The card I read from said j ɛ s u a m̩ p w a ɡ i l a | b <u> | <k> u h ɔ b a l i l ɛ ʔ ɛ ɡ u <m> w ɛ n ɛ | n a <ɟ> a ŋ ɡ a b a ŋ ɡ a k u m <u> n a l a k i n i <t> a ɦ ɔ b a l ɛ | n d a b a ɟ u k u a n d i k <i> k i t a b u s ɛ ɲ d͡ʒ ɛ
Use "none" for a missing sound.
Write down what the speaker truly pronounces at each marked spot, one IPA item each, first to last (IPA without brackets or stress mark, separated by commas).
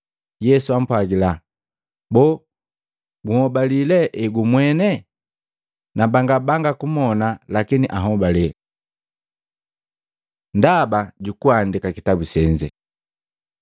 ɔ, ɡ, m, b, ɔ, ʔ, a